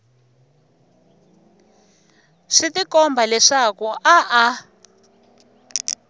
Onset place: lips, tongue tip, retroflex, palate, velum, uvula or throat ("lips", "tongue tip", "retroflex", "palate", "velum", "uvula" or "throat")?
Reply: retroflex